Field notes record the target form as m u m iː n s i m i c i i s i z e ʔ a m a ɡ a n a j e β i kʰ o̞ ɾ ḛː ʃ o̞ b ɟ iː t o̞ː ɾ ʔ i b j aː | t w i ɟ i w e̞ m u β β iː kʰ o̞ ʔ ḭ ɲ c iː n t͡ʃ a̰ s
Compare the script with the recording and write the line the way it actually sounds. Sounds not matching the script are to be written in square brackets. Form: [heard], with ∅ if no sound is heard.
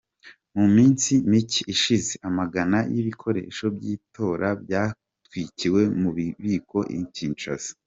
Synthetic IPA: m u m iː n s i m i c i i [ʃ] i z e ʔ a m a ɡ a n a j [i] β i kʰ o̞ ɾ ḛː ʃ o̞ b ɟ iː t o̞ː ɾ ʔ [a] b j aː | t w i [c] i w e̞ m u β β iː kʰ o̞ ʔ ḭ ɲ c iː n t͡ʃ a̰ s